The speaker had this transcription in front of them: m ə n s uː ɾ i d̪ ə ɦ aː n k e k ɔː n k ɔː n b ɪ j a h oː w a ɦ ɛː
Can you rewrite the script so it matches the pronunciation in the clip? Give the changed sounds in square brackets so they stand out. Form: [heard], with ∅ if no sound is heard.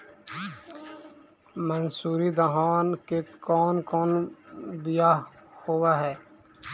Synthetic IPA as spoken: m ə n s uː ɾ i d̪ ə ɦ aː n k e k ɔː n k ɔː n b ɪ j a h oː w a ɦ ɛː